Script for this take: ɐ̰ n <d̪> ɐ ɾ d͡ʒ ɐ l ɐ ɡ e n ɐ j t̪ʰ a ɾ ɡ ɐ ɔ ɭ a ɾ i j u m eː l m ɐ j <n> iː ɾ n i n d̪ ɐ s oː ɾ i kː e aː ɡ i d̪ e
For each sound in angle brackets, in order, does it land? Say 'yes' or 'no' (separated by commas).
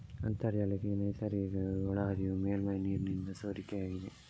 no, yes